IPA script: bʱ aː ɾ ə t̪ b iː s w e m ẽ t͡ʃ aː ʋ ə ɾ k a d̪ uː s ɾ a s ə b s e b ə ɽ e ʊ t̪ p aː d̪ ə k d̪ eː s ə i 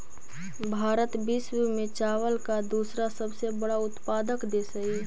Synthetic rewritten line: bʱ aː ɾ ə t̪ b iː s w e m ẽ t͡ʃ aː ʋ ə l k a d̪ uː s ɾ a s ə b s e b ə ɽ a ʊ t̪ p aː d̪ ə k d̪ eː s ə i